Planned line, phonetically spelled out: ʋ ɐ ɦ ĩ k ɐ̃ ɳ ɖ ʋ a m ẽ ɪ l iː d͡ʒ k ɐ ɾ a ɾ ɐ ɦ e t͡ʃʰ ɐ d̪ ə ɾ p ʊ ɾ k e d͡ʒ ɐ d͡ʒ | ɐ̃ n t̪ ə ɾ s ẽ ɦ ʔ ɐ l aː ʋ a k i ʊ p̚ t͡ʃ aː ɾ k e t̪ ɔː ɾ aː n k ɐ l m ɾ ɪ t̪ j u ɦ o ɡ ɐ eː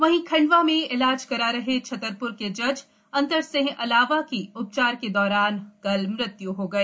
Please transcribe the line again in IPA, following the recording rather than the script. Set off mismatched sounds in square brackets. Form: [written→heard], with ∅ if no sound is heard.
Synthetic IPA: ʋ ɐ ɦ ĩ [k→kʰ] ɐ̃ ɳ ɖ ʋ a m ẽ ɪ l [iː→aː] d͡ʒ k ɐ ɾ a ɾ ɐ ɦ e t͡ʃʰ ɐ [d̪→t̪] ə ɾ p ʊ ɾ k e d͡ʒ ɐ d͡ʒ | ɐ̃ n t̪ ə ɾ s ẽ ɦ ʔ ɐ l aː ʋ a k i ʊ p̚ t͡ʃ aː ɾ k e [t̪→d̪] ɔː ɾ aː n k ɐ l m ɾ ɪ t̪ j u ɦ o ɡ ɐ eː